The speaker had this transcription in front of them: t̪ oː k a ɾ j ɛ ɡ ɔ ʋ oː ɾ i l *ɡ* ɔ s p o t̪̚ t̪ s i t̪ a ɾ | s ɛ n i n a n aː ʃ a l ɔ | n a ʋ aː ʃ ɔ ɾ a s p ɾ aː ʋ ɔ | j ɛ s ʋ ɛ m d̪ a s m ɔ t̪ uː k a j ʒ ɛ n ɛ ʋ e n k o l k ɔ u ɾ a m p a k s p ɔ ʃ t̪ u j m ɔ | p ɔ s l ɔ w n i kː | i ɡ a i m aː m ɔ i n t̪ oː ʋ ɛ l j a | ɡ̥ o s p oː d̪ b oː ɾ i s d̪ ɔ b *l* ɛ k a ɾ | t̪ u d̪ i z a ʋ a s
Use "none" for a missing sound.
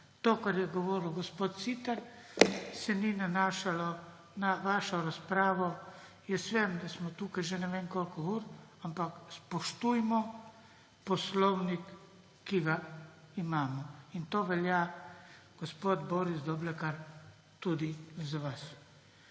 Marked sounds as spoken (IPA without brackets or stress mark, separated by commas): ɡ, l